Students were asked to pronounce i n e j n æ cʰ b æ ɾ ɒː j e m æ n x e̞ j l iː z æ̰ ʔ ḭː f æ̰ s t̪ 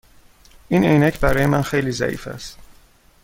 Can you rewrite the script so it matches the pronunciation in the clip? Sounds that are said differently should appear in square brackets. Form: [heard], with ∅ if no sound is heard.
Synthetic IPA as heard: i n e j n æ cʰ b æ ɾ ɒː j e m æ n x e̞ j l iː z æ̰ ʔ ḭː f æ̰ s t̪